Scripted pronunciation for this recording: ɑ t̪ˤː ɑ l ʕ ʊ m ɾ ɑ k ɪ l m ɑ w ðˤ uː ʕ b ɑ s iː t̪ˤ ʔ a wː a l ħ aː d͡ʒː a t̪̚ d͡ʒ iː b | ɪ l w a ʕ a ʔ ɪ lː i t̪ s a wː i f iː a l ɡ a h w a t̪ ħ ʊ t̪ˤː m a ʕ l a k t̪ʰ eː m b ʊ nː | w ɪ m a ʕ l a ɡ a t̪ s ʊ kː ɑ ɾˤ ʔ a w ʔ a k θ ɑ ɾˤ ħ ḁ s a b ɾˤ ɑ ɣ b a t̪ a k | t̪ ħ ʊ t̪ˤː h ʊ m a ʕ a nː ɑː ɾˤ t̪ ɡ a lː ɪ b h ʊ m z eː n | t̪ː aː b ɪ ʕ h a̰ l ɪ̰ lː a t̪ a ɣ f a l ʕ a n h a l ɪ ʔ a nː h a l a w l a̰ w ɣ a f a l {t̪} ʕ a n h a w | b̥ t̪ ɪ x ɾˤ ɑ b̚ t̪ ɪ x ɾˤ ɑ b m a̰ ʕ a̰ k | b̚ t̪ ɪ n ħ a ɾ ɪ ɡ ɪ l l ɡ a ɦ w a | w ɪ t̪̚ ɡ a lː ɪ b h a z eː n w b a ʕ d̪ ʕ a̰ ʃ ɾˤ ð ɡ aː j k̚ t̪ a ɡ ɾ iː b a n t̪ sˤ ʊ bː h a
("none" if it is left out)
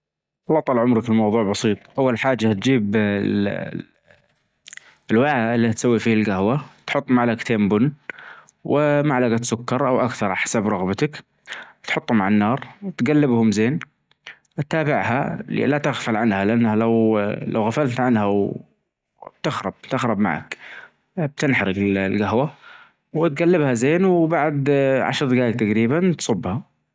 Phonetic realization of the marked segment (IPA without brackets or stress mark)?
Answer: t̪